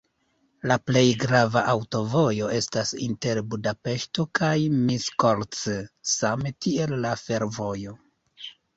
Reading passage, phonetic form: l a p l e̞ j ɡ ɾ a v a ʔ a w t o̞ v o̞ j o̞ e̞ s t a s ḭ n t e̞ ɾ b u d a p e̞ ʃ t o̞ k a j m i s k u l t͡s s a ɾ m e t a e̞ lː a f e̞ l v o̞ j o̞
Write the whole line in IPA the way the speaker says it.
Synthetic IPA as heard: l a p l e̞ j ɡ ɾ a v a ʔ a w t o̞ v o̞ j o̞ e̞ s t a s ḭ n t e̞ ɾ b u d a p e̞ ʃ t o̞ k a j m i s k o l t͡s s a m e t i e̞ lː a f e̞ ɾ v o̞ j o̞